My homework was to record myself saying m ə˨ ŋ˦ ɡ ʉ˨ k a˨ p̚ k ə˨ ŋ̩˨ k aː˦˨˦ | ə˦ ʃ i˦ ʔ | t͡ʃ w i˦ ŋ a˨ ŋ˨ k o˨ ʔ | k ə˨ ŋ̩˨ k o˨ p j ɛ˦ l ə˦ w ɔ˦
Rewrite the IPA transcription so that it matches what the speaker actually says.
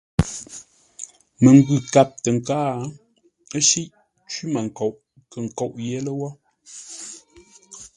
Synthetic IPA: m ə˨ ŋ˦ ɡ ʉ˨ k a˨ p̚ t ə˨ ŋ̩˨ k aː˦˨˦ | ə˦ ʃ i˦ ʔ | t͡ʃ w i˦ m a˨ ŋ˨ k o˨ ʔ | k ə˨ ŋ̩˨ k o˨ ʔ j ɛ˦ l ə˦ w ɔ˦